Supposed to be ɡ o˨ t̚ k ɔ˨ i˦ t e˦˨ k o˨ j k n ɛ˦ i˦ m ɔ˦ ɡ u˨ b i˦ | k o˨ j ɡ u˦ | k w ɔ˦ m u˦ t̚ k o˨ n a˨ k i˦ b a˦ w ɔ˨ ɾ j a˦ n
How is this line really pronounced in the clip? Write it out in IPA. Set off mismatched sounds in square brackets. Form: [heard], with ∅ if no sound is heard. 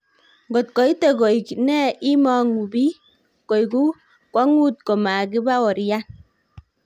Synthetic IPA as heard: ɡ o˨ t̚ k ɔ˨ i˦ t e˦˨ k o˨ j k n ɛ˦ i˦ m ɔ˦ [ŋ] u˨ b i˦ | k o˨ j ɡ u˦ | k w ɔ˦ [ŋ] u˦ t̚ k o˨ [m] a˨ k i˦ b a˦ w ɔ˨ ɾ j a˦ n